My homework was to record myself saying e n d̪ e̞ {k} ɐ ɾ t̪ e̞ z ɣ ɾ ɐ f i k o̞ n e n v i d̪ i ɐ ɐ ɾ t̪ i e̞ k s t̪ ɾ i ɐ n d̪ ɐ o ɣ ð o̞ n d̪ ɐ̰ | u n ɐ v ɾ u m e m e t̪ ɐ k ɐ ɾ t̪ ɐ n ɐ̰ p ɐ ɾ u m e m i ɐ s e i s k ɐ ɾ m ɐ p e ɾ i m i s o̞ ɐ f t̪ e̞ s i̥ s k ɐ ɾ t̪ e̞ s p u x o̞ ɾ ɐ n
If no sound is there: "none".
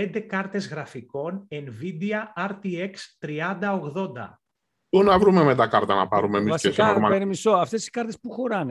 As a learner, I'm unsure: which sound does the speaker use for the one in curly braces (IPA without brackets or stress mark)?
k